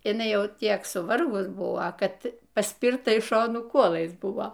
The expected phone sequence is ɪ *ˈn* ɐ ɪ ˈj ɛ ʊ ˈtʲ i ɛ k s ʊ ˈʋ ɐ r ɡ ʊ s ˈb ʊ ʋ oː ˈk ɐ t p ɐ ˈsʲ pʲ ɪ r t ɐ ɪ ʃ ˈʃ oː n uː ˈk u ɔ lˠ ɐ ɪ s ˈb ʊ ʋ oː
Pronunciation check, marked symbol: correct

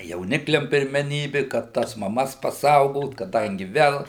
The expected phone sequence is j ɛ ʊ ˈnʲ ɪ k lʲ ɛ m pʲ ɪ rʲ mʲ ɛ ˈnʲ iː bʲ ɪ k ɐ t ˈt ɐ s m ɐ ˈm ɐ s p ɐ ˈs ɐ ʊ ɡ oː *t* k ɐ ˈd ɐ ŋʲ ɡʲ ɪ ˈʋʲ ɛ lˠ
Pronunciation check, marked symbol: correct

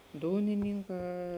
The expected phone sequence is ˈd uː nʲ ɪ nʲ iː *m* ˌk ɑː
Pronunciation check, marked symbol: incorrect: ŋ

